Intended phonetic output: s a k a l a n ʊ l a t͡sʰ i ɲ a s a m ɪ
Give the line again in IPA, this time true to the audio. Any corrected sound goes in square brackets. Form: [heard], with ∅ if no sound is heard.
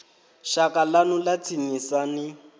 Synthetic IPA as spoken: [ʃ] a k a l a n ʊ l a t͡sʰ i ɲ [i] s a [n] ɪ

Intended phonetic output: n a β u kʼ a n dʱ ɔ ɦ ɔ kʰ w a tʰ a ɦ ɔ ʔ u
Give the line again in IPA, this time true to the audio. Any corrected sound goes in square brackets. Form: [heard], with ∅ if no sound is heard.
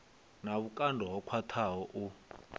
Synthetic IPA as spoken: n a β u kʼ a n dʱ ɔ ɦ ɔ kʰ w a tʰ a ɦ ɔ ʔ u

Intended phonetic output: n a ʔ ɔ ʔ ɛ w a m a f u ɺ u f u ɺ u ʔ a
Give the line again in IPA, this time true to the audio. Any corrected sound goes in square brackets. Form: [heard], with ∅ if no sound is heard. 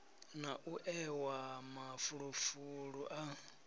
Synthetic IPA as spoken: n a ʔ [u] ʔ ɛ w a m a f u ɺ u f u ɺ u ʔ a

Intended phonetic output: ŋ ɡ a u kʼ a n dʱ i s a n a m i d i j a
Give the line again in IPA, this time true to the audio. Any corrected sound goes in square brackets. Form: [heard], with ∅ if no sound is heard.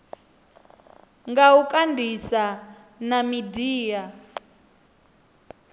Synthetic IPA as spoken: ŋ ɡ a u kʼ a n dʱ i s a n a m i d [iː] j a

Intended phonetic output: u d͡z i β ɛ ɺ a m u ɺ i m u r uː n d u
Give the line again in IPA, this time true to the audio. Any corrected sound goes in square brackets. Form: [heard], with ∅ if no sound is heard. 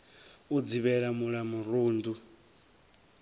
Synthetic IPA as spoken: u d͡z i β ɛ ɺ a m u ɺ [a] m u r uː n d u

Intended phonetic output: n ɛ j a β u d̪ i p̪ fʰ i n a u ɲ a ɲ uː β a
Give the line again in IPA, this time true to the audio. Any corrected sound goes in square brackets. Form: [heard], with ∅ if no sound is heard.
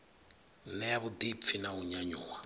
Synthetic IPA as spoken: n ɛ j a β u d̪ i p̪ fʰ i n a u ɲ a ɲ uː [w] a

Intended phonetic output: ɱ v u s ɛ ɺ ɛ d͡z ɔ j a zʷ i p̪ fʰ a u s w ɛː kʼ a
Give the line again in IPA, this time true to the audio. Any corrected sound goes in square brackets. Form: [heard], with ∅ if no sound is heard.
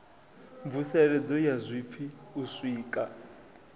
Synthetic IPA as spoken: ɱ v u s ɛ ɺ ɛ d͡z ɔ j a zʷ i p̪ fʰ [i] u s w [iː] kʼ a

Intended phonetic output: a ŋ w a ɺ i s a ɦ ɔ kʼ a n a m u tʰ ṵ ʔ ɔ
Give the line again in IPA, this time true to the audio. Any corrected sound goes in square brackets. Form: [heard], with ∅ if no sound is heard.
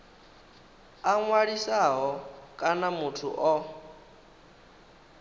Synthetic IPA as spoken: a ŋ w a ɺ i s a ɦ ɔ kʼ a n a m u tʰ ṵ ʔ ɔ

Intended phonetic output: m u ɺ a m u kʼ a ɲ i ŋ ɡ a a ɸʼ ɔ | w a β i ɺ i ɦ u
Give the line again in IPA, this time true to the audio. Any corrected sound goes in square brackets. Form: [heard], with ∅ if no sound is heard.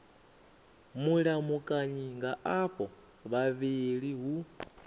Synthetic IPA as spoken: m u ɺ a m u kʼ a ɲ i ŋ ɡ a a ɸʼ ɔ | [β] a β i ɺ i ɦ u

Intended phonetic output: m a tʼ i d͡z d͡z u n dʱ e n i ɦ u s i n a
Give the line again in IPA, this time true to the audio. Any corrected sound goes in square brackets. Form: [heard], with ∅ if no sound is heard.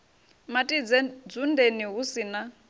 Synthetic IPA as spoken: m a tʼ i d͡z d͡z u n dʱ e n i ɦ u s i n a

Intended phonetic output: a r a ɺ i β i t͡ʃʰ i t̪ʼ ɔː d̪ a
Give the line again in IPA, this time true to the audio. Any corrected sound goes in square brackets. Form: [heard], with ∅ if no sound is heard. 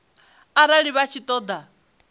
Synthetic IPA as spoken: a [ɾ] a ɺ i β [a] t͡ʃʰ i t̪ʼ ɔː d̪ a

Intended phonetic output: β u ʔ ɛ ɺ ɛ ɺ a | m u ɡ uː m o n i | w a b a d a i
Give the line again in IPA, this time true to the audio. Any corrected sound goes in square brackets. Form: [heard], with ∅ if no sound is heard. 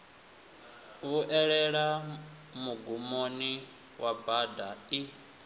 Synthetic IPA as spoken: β u ʔ ɛ ɺ ɛ ɺ a | m u ɡ [u] m o n i | w a b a d a i

